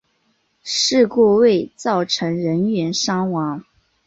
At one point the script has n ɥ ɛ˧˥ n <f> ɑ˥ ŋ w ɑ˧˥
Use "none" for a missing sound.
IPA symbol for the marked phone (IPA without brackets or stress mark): ʂ